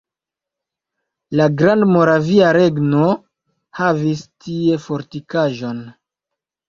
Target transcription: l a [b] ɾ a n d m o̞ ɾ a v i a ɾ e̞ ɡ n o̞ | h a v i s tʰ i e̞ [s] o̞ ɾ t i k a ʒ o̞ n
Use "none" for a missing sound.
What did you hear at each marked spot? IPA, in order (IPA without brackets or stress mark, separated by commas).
ɡ, f